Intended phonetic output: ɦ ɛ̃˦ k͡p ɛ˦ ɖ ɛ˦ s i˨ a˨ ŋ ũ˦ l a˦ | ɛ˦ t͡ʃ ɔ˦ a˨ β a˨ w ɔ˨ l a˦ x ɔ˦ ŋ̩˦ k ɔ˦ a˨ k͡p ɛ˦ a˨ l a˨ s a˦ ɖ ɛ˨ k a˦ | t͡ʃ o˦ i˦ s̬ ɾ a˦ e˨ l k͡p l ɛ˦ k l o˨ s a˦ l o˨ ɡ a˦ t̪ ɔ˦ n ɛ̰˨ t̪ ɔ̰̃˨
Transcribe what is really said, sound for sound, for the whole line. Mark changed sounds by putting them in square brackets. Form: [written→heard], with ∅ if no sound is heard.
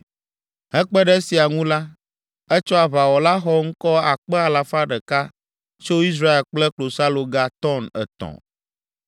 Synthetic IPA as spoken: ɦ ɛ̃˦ k͡p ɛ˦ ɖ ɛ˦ s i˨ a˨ ŋ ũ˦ l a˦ | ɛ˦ t͡ʃ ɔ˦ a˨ β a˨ w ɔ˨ l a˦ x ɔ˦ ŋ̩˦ k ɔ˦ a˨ k͡p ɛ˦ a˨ l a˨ [s→f] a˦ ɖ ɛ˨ k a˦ | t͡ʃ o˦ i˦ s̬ ɾ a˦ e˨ l k͡p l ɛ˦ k l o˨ s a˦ l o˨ ɡ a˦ t̪ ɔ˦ n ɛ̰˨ t̪ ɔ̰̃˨